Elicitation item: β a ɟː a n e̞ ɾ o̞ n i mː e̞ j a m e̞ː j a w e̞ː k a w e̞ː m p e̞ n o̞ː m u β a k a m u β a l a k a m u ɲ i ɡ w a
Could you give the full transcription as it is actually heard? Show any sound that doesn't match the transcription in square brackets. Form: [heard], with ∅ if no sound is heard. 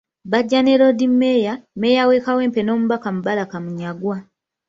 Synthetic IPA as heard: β a ɟː a n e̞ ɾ o̞ [d] i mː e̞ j a m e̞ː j a w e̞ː k a w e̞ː m p e̞ n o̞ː m u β a k a m u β a l a k a m u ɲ [a] ɡ w a